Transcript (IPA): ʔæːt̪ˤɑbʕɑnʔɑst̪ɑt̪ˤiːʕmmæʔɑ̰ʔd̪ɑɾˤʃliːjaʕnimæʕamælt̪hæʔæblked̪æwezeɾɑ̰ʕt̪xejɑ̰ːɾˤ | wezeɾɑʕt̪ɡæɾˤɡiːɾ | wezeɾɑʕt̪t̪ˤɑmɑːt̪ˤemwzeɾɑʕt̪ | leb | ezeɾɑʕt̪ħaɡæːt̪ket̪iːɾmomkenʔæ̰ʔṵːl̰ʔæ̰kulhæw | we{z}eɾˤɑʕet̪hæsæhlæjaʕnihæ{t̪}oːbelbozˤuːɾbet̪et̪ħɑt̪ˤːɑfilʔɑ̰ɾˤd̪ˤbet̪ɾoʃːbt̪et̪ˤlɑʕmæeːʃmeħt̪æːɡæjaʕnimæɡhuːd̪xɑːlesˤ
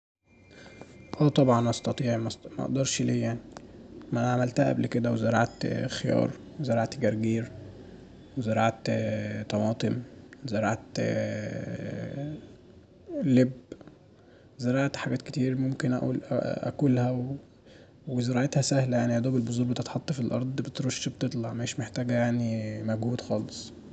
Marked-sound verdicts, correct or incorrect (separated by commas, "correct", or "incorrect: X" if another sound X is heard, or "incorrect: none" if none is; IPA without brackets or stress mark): correct, incorrect: d̪